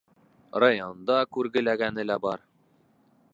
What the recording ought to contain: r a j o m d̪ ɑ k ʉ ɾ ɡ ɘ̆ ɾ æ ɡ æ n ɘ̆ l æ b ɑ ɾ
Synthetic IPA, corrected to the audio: r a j o n d̪ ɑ k ʉ ɾ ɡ ɘ̆ l æ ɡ æ n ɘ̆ l æ b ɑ ɾ